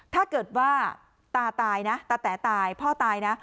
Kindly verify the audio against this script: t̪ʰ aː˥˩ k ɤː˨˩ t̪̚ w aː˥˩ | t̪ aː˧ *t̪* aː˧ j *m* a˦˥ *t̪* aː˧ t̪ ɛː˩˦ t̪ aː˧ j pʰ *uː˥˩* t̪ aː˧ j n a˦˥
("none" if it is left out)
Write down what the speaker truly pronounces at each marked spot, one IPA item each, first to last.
t̪, n, t̪, ɔː˥˩

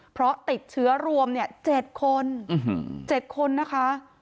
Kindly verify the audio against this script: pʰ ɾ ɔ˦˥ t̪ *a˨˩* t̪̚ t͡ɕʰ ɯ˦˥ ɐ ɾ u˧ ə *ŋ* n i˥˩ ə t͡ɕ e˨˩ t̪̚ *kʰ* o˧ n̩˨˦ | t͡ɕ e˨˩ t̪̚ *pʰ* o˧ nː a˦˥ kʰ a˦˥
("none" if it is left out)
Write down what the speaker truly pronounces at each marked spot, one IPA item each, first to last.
i˨˩, m, kʰ, kʰ

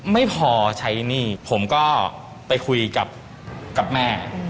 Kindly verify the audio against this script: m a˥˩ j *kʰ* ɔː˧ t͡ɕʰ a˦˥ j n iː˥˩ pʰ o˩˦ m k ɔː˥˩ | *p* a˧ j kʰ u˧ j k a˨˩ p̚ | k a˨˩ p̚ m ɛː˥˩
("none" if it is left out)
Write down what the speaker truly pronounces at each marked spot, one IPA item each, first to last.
pʰ, p

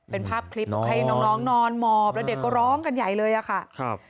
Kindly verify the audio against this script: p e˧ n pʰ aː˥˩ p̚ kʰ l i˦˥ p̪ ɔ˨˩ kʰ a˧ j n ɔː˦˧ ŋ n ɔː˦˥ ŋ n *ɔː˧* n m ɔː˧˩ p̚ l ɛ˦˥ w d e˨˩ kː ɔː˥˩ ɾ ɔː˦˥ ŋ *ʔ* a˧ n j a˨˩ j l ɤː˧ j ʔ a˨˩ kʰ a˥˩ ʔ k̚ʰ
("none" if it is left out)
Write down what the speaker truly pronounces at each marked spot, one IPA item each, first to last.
ɔː˧, k

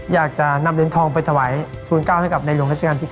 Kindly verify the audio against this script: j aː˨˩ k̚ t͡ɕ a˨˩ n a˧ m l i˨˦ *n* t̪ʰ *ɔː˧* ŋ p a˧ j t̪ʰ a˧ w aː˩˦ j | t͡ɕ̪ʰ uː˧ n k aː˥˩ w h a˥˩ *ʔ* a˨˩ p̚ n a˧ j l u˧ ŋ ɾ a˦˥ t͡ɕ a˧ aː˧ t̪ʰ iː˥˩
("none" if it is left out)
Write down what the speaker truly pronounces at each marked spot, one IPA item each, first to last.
n, ɔː˧, k

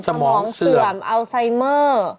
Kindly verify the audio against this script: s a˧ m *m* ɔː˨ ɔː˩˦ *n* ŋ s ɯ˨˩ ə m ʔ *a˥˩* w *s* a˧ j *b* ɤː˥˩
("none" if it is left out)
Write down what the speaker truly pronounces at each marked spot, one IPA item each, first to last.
m, ŋ, a˧, s, m

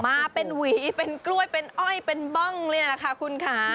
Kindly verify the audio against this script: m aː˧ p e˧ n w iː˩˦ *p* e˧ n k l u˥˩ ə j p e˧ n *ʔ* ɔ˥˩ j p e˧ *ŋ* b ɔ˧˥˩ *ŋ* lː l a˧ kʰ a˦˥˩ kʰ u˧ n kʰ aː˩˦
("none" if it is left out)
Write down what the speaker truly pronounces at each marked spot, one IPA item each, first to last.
p, ʔ, n, ŋ

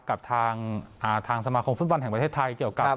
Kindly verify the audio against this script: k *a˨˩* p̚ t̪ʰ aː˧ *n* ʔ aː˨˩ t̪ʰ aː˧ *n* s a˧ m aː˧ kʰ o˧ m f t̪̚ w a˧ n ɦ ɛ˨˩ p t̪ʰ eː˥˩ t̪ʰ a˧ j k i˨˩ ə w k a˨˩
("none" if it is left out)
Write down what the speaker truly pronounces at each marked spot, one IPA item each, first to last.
a˨˩, ŋ, ŋ

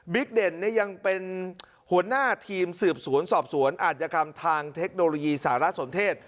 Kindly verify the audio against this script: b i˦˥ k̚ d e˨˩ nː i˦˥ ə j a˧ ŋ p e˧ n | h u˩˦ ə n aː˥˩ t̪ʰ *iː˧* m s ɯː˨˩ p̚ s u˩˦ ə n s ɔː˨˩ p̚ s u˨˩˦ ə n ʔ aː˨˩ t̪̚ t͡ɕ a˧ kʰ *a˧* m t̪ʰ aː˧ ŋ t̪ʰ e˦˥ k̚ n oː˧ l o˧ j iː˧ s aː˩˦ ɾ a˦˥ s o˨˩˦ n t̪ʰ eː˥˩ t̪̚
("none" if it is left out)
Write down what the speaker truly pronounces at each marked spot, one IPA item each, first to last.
iː˧, a˧

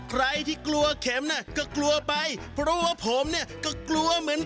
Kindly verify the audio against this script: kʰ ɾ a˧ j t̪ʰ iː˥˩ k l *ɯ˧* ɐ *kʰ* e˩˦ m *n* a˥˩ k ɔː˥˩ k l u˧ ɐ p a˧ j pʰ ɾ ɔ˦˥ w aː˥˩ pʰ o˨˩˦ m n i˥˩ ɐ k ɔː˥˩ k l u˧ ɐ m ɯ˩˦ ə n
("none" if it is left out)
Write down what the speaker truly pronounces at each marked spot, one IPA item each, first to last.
u˧, kʰ, n

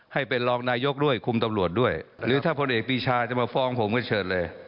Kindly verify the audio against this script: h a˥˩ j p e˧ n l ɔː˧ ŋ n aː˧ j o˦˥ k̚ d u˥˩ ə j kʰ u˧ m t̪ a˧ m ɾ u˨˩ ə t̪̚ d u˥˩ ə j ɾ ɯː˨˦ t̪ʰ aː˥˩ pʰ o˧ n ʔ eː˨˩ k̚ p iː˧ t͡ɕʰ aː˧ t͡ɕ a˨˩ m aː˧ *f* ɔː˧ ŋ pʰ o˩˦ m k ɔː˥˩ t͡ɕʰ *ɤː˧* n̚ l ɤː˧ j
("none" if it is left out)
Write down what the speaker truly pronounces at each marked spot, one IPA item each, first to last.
f, ɤː˨˩

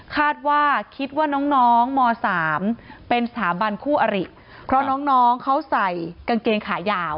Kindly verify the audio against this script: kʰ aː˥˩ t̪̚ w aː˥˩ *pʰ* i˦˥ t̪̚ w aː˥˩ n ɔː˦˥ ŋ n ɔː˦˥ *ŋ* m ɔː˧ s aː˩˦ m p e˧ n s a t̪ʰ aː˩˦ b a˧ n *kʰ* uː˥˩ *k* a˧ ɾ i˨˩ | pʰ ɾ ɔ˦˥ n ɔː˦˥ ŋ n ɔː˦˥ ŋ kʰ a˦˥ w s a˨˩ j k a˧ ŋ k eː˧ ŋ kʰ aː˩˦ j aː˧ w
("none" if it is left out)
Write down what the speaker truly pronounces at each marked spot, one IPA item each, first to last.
kʰ, ŋ, kʰ, ʔ

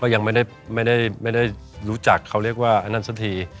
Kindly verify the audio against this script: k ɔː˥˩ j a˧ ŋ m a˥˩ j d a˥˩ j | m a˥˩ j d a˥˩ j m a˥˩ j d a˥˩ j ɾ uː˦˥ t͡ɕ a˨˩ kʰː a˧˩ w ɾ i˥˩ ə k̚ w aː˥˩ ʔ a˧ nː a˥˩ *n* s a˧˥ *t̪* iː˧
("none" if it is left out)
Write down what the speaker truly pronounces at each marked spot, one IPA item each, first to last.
n, t̪ʰ

